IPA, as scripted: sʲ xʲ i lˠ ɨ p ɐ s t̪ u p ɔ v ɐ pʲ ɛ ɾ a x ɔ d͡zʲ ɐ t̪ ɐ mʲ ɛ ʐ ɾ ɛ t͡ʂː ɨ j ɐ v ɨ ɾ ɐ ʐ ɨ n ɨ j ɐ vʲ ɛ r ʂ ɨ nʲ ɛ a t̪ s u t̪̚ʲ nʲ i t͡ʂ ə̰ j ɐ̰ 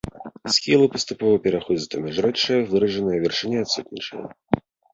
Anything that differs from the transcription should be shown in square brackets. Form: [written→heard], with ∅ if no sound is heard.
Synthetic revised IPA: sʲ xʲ i lˠ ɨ p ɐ s t̪ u p ɔ v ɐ pʲ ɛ ɾ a x ɔ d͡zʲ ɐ t̪ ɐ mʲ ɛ ʐ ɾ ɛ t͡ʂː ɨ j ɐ v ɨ ɾ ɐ ʐ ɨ n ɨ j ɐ vʲ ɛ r ʂ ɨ nʲ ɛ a t̪ s u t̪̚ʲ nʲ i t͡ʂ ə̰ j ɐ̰